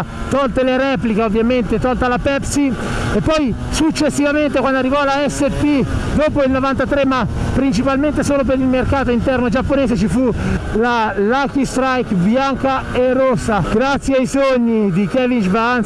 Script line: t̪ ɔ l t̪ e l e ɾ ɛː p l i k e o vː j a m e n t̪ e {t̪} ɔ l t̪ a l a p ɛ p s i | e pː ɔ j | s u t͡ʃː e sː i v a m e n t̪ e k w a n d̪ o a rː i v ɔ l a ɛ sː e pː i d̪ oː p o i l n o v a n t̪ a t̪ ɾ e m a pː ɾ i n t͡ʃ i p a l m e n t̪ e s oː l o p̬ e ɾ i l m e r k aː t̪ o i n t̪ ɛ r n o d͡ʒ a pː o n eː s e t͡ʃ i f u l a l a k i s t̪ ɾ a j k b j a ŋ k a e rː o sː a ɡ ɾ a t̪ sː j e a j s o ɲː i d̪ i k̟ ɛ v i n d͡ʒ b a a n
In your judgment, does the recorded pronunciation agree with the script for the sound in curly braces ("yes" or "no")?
yes